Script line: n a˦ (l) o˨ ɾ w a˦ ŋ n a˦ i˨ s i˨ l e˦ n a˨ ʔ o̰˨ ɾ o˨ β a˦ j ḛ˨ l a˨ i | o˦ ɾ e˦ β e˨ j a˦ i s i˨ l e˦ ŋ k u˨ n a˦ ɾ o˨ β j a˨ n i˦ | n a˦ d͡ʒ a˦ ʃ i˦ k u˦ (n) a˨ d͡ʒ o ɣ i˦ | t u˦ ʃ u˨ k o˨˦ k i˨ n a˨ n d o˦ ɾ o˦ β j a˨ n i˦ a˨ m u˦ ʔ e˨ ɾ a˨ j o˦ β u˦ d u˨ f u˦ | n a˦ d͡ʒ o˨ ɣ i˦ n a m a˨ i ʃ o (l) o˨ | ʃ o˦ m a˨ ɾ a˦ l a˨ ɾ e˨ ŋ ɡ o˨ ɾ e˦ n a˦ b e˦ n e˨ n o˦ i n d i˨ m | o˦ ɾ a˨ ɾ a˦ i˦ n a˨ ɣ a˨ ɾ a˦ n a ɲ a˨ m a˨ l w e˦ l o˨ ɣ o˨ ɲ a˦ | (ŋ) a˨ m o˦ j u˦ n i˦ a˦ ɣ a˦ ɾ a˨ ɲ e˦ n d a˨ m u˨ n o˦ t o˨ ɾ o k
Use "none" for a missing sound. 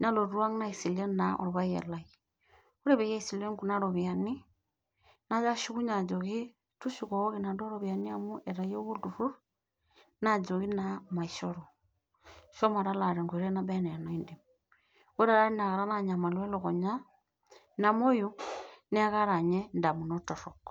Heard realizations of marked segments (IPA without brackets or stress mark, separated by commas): l, ɲ, ɾ, n